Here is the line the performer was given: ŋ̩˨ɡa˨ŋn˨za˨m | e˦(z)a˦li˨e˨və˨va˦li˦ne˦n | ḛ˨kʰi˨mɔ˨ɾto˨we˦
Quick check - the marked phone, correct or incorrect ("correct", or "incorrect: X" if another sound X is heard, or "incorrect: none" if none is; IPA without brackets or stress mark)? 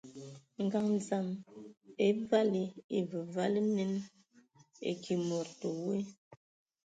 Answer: incorrect: v